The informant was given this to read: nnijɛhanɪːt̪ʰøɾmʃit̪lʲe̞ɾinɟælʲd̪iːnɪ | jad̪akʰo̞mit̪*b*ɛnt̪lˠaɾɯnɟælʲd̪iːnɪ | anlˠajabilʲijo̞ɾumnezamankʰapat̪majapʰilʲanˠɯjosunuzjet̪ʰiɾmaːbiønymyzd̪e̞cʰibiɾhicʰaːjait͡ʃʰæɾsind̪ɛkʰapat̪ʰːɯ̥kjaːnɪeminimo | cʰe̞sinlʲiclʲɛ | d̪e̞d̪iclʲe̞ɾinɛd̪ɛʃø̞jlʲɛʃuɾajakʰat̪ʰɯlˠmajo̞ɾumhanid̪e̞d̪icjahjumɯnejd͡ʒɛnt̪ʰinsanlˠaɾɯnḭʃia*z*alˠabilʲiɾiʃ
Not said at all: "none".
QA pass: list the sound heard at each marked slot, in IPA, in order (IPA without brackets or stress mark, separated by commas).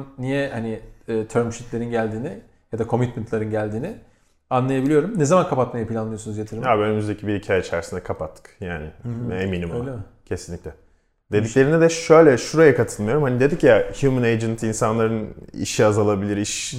m, z